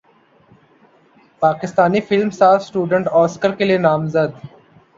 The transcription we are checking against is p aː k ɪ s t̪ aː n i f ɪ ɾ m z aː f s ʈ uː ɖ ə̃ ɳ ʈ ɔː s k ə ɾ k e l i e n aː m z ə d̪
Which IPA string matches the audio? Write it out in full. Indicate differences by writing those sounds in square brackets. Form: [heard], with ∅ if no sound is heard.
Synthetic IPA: p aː k ɪ s t̪ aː n i f ɪ [l] m [s] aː f s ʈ uː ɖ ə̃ ɳ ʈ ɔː s k ə ɾ k e l i e n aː m z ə d̪